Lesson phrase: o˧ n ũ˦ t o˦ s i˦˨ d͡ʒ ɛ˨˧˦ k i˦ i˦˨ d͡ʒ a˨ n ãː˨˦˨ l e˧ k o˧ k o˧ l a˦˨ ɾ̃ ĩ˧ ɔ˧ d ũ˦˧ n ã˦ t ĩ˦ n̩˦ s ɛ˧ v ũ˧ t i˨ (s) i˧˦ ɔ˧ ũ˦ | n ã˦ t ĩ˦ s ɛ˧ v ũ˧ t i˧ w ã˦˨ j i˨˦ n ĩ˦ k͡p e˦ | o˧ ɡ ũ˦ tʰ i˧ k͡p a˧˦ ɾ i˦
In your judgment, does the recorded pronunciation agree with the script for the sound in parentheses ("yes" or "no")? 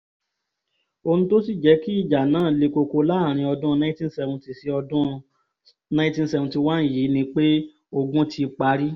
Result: yes